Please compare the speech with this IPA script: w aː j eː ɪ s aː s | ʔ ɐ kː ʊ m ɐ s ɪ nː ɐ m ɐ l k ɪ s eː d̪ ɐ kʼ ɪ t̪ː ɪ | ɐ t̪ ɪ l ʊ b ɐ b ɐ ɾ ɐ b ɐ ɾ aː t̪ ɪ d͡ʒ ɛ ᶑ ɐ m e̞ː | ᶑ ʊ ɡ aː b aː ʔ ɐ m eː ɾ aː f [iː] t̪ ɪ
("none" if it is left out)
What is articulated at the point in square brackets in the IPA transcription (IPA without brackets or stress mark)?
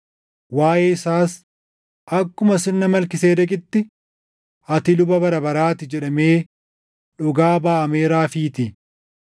iː